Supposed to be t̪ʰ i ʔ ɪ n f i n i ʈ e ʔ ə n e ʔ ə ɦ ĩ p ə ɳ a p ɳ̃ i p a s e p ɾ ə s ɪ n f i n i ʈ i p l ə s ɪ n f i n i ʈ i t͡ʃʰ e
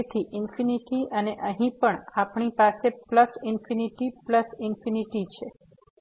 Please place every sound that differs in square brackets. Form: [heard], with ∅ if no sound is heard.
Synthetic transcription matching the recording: t̪ʰ i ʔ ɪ n f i n i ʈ [i] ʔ ə n e ʔ ə ɦ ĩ p ə ɳ a p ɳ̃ i p a s e p [l] ə s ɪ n f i n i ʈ i p l ə s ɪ n f i n i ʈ i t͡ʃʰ e